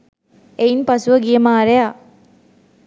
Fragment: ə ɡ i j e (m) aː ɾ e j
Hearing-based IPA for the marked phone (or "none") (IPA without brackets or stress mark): m